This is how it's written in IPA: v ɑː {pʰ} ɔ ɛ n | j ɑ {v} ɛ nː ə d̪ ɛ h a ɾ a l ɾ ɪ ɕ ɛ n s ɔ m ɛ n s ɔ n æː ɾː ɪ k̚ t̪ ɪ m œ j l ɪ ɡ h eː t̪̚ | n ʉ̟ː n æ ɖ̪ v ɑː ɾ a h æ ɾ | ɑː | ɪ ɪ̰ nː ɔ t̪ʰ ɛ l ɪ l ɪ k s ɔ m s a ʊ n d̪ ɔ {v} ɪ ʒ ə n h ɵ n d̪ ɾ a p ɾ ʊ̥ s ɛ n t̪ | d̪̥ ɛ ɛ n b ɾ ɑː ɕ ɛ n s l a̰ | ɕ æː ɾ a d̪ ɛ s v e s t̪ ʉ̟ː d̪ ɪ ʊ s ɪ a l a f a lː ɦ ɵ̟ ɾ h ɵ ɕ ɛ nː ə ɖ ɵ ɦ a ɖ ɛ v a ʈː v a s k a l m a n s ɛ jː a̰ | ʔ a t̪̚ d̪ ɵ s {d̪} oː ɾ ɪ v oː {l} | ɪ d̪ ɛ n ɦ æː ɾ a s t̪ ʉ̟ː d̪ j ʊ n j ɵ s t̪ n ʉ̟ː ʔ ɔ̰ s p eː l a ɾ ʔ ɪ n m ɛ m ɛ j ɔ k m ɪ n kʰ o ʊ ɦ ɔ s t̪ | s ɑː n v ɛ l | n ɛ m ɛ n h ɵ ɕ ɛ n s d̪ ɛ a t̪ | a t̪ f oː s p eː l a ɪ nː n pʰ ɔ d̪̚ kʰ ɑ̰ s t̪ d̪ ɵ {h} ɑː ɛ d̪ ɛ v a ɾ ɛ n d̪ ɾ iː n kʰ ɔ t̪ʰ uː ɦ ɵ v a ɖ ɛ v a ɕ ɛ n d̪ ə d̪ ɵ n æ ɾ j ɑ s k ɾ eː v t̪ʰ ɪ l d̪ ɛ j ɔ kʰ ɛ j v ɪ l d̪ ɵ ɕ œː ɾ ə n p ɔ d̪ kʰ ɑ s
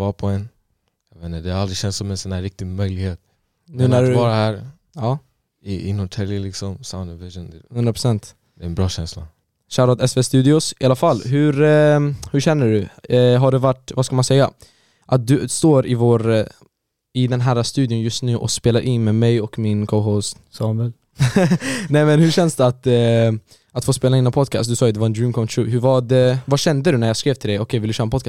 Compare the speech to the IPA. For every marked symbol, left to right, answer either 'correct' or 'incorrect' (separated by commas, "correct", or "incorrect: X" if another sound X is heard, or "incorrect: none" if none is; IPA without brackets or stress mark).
correct, correct, correct, incorrect: t̪, incorrect: ɾ, incorrect: s